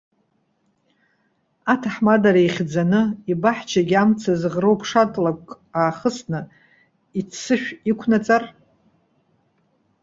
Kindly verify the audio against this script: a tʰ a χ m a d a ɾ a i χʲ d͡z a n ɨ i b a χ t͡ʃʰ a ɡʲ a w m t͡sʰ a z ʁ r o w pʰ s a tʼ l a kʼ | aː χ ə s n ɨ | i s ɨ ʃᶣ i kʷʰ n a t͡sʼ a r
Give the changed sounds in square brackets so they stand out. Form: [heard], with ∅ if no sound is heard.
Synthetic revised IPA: a tʰ a [ħ] m a d a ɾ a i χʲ d͡z a n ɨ i b a [ħ] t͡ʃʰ a ɡʲ a [∅] m t͡sʰ a z ʁ r o w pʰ [ʂ] a tʼ l a kʼ | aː χ ə s n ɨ | i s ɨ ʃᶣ i kʷʰ n a t͡sʼ a r